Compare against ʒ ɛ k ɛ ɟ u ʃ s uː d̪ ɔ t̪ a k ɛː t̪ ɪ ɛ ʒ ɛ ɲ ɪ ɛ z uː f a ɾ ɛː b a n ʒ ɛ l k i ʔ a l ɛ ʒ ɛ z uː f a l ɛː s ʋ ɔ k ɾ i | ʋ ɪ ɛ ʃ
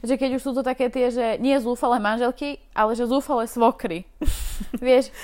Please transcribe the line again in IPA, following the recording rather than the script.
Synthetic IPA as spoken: ʒ ɛ k ɛ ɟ u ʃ s uː t̪ ɔ t̪ a k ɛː t̪ ɪ ɛ ʒ ɛ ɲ ɪ ɛ z uː f a l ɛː m a n ʒ ɛ l k i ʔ a l ɛ ʒ ɛ z uː f a l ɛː s ʋ ɔ k ɾ i | ʋ ɪ ɛ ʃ